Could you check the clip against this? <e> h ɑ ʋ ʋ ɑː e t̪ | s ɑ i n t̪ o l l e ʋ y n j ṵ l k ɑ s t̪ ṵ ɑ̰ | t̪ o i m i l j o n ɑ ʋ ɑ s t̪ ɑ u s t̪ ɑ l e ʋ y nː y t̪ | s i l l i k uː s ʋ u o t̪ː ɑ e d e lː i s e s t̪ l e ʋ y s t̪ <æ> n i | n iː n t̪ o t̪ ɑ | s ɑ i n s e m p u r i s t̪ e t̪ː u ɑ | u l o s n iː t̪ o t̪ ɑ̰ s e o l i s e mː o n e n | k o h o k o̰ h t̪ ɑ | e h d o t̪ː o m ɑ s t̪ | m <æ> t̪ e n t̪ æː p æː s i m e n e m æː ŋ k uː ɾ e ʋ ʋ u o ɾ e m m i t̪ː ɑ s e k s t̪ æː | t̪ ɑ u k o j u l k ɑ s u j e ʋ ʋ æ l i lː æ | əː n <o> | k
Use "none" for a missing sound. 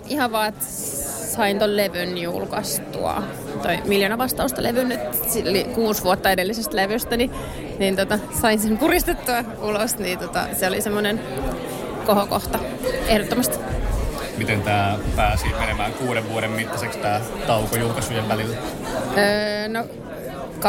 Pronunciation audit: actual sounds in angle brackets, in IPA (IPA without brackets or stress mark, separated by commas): i, æ, i, o